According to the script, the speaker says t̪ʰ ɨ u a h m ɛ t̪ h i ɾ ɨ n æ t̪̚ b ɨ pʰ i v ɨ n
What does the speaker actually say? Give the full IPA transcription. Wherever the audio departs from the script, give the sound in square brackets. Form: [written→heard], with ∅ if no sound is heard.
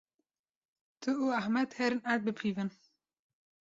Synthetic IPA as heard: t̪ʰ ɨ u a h m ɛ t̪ h [i→ɛ] ɾ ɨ n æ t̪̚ b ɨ pʰ i v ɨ n